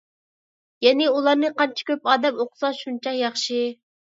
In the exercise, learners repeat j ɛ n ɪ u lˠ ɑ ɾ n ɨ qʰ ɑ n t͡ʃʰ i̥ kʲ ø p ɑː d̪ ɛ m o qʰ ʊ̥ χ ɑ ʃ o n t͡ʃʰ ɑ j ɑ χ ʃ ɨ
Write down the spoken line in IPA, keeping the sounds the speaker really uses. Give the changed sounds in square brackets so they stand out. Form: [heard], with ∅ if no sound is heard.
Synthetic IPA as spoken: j ɛ n ɪ u lˠ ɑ ɾ n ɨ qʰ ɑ n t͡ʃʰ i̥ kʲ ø p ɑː d̪ ɛ m o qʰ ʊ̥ [s] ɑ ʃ [u] n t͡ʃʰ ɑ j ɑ χ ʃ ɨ